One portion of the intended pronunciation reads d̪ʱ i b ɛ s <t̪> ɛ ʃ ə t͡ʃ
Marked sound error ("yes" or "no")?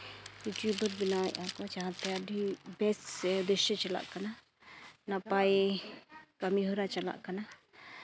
yes